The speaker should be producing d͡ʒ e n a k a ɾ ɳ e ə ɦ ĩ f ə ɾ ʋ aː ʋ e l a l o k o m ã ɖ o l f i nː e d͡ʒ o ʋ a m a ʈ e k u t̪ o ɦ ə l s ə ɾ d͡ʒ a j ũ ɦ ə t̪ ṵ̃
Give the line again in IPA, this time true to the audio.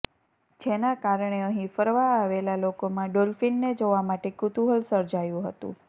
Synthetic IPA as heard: d͡ʒ e n a k a ɾ ɳ e ə ɦ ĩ f ə ɾ ʋ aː ʋ e l a l o k o m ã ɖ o l f i nː e d͡ʒ o ʋ a m a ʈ e k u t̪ u ɦ ə l s ə ɾ d͡ʒ a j ũ ɦ ə t̪ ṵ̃